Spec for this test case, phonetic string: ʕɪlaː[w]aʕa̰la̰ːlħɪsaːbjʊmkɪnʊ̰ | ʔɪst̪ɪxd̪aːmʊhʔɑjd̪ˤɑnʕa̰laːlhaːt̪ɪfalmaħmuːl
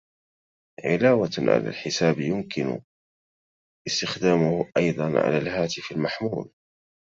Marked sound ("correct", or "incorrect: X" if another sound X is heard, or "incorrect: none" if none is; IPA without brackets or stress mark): correct